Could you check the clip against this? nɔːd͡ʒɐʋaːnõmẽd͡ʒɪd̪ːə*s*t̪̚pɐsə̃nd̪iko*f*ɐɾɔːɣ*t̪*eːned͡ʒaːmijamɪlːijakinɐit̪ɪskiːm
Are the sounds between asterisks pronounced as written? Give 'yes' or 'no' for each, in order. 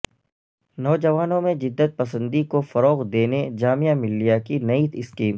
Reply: no, yes, no

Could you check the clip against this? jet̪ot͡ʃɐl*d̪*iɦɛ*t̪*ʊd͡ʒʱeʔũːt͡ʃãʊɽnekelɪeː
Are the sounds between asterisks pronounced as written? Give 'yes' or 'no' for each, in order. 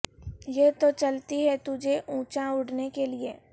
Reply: no, yes

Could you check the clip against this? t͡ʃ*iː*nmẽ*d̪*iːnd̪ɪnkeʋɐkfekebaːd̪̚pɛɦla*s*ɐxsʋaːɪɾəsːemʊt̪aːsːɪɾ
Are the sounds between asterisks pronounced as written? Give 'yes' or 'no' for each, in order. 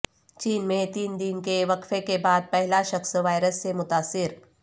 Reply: yes, no, no

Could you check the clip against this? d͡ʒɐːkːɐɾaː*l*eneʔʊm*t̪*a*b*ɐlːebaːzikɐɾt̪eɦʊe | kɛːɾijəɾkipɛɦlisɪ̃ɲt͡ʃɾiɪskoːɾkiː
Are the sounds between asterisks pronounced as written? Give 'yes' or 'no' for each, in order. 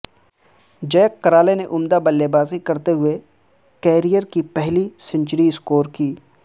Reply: yes, no, yes

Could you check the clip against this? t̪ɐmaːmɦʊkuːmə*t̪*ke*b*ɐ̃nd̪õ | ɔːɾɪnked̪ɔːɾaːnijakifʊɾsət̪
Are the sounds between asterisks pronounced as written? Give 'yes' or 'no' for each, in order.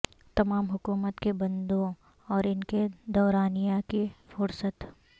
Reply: yes, yes

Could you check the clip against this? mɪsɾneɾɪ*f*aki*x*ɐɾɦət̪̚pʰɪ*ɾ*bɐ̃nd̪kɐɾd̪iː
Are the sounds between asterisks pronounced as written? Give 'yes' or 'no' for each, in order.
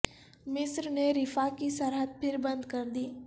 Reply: yes, no, yes

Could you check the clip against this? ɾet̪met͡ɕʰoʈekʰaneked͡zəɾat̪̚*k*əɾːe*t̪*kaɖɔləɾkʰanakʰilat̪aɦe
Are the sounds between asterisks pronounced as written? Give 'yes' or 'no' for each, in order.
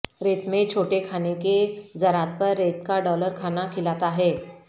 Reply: no, yes

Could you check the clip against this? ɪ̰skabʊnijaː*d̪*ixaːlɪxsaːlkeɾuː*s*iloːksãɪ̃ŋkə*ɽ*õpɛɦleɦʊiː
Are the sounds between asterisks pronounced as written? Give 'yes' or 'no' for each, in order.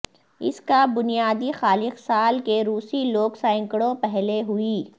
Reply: yes, yes, yes

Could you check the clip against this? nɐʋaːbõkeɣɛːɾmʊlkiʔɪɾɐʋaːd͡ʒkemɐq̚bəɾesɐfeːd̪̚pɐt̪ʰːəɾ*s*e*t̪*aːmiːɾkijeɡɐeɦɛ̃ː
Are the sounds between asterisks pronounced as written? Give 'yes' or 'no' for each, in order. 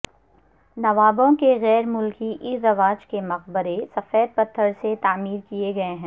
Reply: yes, yes

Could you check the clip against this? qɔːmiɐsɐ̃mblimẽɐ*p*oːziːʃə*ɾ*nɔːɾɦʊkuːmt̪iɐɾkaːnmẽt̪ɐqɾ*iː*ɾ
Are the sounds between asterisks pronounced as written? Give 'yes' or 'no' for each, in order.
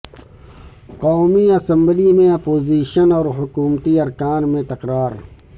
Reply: yes, no, no

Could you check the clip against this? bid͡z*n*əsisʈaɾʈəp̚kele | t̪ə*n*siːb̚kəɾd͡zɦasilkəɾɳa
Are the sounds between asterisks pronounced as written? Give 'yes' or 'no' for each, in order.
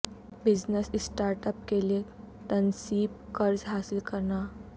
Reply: yes, yes

